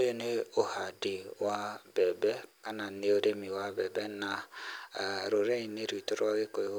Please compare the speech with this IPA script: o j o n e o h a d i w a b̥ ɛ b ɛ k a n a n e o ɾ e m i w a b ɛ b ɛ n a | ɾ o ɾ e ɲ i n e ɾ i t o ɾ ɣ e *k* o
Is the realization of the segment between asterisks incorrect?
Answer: no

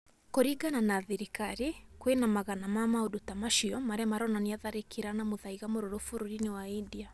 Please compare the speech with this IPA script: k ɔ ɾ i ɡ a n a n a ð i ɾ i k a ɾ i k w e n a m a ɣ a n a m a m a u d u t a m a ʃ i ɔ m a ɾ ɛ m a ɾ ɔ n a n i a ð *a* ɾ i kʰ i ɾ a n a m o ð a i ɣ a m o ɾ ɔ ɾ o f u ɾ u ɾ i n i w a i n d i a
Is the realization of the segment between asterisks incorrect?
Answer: no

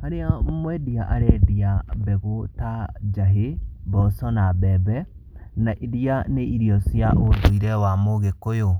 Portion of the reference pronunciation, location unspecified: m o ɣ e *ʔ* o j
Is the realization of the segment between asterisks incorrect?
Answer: yes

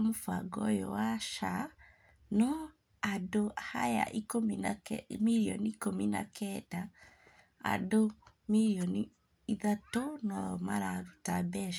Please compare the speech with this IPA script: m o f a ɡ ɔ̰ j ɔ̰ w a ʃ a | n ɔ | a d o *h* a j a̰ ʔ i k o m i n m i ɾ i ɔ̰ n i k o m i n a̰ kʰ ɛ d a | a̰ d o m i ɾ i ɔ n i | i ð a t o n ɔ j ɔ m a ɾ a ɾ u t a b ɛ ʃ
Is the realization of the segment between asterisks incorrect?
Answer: no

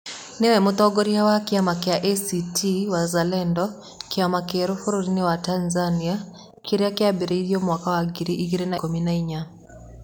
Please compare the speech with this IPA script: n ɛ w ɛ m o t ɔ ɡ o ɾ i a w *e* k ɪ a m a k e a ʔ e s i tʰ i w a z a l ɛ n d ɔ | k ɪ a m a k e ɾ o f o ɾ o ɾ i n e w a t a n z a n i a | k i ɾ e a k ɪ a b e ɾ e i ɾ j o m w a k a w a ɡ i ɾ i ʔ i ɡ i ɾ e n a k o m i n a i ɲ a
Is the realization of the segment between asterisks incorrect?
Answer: yes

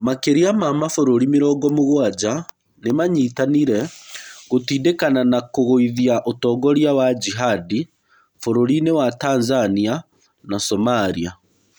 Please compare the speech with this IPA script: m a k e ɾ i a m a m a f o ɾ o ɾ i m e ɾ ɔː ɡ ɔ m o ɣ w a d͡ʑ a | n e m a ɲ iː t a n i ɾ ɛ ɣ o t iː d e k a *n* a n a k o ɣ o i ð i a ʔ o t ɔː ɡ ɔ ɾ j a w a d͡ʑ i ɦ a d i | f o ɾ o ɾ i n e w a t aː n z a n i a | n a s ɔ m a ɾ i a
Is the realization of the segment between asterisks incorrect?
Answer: no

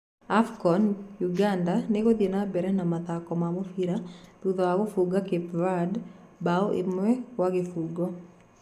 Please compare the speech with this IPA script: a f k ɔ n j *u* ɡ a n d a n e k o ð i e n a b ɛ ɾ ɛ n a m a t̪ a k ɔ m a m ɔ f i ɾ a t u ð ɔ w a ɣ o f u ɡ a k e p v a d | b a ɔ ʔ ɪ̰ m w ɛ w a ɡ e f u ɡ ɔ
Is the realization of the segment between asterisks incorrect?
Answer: no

